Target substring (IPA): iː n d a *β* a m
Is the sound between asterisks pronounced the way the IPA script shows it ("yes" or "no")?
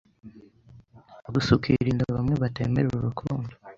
yes